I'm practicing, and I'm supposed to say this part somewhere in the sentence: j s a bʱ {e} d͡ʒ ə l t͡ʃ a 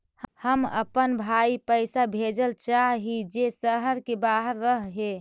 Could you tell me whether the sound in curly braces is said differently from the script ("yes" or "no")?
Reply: no